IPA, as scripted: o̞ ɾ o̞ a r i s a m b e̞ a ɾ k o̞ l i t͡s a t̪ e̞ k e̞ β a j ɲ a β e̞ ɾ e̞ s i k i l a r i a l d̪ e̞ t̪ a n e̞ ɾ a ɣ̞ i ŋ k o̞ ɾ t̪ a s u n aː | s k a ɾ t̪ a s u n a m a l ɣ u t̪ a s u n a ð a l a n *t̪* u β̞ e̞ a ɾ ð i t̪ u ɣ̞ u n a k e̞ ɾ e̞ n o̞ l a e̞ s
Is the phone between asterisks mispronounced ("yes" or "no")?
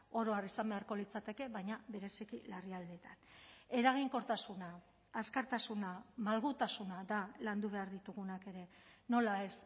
yes